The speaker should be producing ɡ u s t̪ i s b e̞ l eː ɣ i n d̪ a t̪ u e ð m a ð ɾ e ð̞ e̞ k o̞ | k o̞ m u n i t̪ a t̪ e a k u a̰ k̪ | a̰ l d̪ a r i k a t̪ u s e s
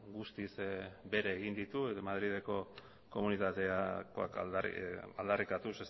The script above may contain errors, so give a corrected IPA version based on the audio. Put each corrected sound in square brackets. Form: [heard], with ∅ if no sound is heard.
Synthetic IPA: ɡ u s t̪ i s b e̞ [ɾ] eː ɣ i n d̪ [i] t̪ u e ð m a ð ɾ [i] ð̞ e̞ k o̞ | k o̞ m u n i t̪ a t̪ e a k [o] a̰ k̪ | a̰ l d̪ a r i k a t̪ u s e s